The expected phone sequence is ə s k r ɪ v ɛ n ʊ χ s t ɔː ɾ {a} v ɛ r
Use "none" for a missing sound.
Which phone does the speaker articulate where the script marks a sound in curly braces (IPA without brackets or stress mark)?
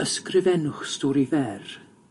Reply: i